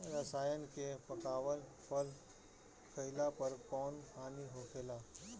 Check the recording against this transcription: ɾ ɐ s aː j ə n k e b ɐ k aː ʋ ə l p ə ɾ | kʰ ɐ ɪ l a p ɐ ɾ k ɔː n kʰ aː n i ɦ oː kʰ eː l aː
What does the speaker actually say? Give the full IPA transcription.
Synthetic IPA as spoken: ɾ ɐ s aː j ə n k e p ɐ k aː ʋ ə l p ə l | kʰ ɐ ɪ l a p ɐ ɾ k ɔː n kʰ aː n i ɦ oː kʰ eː l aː